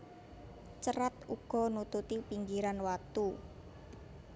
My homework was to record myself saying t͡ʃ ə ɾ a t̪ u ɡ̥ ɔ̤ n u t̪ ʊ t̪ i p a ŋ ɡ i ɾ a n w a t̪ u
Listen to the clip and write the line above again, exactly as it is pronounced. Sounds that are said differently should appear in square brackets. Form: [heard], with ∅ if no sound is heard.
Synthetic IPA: t͡ʃ ə ɾ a t̪ u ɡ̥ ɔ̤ n u t̪ [u] t̪ i p [i] ŋ ɡ i ɾ a n w a t̪ u